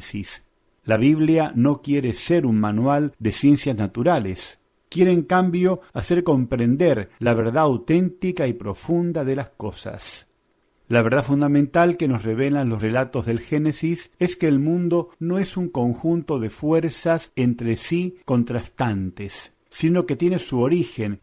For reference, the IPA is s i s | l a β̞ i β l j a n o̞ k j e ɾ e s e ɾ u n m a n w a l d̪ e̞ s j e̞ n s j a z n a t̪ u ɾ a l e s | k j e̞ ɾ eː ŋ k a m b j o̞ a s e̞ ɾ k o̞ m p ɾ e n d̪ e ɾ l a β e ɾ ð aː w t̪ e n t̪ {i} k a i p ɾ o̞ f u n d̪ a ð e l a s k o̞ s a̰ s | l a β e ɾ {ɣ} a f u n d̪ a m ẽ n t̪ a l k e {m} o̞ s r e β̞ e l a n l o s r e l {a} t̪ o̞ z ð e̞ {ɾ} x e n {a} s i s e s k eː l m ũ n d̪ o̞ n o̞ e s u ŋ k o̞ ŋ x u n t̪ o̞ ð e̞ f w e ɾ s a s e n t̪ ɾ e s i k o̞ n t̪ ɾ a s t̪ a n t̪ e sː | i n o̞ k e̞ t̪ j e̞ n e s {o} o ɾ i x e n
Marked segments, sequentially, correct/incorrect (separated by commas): correct, incorrect, incorrect, correct, incorrect, incorrect, incorrect